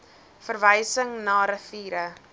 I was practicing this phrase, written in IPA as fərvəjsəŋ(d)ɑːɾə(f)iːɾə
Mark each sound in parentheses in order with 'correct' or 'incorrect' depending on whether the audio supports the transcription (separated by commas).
incorrect, correct